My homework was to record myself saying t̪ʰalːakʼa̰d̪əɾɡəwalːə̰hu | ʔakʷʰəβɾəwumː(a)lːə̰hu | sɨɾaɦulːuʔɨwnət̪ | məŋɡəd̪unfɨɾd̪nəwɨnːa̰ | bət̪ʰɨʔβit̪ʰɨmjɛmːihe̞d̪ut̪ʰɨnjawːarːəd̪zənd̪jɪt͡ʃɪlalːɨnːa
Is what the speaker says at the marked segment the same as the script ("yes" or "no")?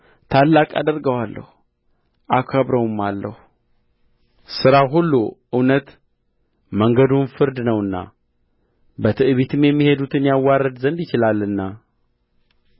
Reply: yes